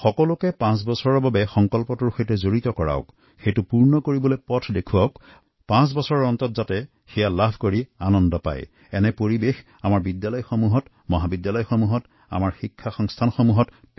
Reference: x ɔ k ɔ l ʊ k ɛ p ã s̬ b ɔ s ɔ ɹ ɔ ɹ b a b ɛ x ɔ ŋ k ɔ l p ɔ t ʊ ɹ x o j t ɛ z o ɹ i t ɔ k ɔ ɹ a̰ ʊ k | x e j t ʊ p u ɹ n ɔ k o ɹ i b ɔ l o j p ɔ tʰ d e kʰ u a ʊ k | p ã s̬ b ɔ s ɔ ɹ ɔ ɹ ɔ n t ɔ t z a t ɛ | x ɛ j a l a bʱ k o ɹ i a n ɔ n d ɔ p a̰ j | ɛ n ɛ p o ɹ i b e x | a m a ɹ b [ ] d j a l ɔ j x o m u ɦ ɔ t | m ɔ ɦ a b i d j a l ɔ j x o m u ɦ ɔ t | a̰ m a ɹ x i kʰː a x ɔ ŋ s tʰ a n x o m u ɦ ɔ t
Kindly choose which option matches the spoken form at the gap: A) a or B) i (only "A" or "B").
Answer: B